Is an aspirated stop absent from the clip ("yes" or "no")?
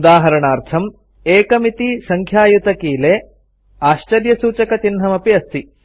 no